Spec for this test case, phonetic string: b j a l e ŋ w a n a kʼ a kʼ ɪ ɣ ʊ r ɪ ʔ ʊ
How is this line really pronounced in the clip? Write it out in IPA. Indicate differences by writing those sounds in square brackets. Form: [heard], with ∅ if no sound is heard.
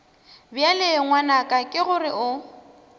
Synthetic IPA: b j a l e ŋ w a n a kʼ a kʼ ɪ ɣ ʊ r ɪ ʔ ʊ